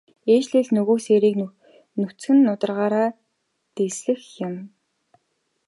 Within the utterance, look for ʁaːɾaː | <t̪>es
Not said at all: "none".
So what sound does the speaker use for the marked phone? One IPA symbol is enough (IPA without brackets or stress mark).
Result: t̪